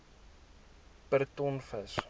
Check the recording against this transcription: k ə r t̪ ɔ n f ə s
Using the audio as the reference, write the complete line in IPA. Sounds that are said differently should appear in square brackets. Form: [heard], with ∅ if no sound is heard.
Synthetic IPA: [p] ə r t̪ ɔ n f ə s